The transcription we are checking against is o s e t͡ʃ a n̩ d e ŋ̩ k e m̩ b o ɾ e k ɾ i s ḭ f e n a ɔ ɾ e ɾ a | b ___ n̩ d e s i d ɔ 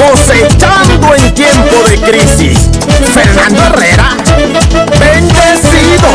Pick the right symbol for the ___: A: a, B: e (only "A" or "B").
B